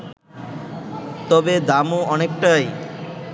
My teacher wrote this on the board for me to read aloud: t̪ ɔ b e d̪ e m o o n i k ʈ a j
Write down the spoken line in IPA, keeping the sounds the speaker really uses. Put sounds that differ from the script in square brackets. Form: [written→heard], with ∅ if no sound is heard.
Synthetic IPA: t̪ ɔ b e d̪ [e→a] m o [o→ɔ] n [i→e] k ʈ a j